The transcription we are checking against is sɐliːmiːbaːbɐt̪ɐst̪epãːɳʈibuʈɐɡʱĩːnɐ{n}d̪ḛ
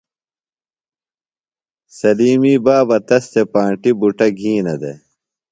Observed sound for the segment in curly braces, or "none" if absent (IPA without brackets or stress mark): none